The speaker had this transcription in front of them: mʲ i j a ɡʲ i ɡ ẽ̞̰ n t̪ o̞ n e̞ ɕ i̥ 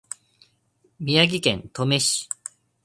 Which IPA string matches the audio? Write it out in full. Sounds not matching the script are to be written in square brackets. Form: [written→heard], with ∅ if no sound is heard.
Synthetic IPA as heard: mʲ i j a ɡʲ i [ɡ→k] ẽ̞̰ n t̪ o̞ [n→m] e̞ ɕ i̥